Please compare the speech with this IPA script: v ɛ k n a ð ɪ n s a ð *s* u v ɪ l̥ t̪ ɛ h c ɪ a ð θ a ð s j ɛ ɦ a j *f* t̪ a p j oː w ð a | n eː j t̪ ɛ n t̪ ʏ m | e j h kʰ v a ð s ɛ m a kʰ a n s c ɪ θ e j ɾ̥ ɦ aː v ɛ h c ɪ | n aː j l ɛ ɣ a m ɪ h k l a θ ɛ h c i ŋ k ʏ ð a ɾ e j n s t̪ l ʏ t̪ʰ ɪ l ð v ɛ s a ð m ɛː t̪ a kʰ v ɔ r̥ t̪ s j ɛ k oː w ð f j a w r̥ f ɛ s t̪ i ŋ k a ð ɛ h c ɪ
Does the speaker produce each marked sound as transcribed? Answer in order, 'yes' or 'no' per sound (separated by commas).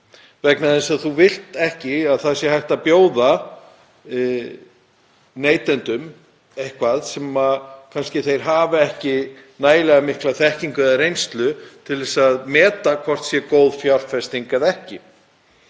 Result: no, no